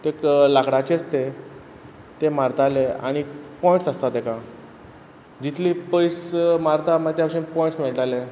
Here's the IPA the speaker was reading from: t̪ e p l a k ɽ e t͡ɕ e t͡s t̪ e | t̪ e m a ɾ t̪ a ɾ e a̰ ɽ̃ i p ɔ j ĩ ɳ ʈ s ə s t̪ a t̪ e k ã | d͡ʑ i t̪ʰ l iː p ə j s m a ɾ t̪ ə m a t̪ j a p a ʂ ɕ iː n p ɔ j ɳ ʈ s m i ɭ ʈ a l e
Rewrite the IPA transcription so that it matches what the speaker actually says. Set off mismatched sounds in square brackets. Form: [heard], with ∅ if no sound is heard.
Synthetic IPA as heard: t̪ e [k] l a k ɽ [a] t͡ɕ e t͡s t̪ e | t̪ e m a ɾ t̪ a [l] e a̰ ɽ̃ i p ɔ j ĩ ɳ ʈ s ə s t̪ a t̪ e k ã | d͡ʑ i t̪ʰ l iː p ə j s m a ɾ t̪ [a] m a t̪ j a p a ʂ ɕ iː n p ɔ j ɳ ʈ s m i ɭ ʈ a l e